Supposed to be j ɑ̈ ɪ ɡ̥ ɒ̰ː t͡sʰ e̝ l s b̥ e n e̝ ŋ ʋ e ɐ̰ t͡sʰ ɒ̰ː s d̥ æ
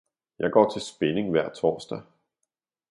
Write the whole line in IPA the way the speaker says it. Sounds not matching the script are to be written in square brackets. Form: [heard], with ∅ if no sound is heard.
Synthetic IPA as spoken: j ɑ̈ ɪ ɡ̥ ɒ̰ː t͡sʰ e̝ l s b̥ e n e̝ ŋ ʋ [æ] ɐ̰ t͡sʰ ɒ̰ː s d̥ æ